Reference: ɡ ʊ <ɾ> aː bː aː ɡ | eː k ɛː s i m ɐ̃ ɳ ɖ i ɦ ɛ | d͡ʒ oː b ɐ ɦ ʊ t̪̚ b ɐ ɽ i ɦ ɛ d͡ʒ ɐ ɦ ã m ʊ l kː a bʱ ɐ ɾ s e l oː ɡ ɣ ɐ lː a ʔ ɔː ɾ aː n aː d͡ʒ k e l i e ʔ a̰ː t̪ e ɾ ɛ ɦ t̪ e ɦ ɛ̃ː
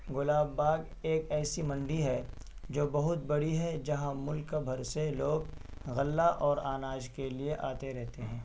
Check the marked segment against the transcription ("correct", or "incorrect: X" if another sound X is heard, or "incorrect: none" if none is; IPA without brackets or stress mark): incorrect: l